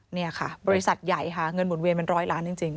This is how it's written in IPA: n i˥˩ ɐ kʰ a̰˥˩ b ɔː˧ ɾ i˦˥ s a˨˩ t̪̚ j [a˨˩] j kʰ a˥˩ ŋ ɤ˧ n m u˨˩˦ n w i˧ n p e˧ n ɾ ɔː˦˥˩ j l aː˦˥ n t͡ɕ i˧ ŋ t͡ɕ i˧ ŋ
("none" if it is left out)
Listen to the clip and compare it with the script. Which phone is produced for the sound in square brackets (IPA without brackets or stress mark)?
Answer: a˨˩